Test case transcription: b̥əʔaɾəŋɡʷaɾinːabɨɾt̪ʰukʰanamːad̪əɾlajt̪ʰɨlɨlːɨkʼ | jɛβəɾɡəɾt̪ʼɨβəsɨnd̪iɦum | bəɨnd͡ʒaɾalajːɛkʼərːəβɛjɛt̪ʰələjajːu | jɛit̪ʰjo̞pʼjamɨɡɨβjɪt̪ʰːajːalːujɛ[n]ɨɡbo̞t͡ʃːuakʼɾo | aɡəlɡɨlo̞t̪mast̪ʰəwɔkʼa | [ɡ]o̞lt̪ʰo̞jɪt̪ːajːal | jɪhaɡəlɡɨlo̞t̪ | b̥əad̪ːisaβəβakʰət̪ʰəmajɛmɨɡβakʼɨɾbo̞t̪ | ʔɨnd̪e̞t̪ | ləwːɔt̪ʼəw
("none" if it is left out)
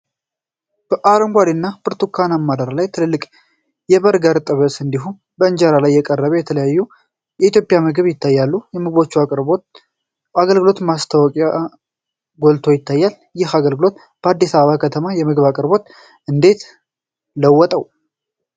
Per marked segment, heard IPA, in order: m, ɡ

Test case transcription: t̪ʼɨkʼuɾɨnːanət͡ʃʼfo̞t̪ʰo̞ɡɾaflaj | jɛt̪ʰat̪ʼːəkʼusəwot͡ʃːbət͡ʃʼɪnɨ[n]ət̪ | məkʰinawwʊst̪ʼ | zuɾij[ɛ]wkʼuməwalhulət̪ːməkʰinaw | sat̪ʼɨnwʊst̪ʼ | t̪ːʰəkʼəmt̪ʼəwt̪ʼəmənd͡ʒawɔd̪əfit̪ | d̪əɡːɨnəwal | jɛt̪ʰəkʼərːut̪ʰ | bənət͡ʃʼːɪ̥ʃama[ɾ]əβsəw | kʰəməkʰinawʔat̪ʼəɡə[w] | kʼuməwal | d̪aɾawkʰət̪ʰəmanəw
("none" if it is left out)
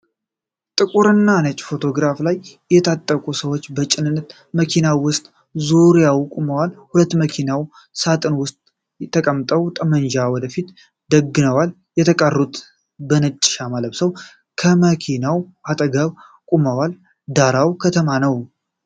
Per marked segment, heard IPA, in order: nː, a, l, β

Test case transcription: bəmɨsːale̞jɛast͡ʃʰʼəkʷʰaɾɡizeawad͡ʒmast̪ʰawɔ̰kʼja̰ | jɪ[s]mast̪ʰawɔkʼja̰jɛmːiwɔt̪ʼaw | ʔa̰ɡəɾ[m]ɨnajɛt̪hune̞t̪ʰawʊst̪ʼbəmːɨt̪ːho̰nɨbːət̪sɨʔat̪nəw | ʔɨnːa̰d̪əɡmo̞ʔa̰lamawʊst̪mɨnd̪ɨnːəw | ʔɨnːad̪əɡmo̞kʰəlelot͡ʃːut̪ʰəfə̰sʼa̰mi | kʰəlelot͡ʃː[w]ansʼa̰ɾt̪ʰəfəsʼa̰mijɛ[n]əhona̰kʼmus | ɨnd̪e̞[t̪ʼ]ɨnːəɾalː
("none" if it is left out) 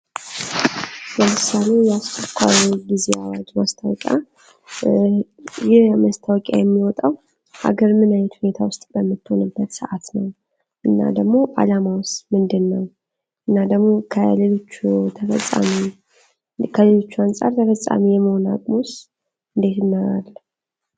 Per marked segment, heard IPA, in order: h, m, u, m, t̪

